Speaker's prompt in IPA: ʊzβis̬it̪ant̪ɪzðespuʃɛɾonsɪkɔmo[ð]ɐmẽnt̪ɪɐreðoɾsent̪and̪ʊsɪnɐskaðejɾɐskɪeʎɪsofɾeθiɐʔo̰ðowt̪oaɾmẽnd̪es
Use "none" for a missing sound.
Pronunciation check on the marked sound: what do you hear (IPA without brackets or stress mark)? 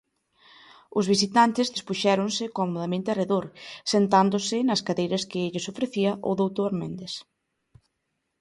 ð